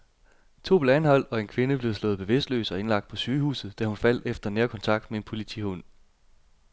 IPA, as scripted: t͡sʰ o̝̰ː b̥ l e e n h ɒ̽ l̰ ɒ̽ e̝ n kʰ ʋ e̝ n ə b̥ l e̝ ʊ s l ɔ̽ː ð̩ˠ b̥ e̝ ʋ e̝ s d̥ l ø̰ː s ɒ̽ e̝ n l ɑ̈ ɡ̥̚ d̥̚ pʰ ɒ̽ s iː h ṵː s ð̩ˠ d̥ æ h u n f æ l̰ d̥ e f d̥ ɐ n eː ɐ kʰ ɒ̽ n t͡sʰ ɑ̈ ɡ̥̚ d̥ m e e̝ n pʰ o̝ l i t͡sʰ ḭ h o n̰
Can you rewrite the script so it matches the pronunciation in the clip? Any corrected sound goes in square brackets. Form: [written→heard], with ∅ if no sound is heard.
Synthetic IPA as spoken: t͡sʰ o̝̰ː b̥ l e [e→æ] n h ɒ̽ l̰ ɒ̽ e̝ n kʰ ʋ e̝ n ə b̥ l e̝ ʊ s l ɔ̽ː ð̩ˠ b̥ e̝ ʋ e̝ s d̥ l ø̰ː s ɒ̽ e̝ n l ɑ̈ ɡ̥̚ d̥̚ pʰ ɒ̽ s [iː→yː] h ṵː s ð̩ˠ d̥ æ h u n f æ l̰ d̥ e f d̥ ɐ n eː ɐ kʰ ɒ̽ n t͡sʰ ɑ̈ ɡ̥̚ d̥ m e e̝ n pʰ o̝ l i t͡sʰ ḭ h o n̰